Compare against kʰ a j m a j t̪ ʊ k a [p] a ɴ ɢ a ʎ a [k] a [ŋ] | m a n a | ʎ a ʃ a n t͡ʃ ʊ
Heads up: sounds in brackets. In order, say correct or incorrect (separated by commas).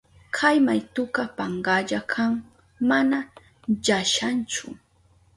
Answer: correct, incorrect, correct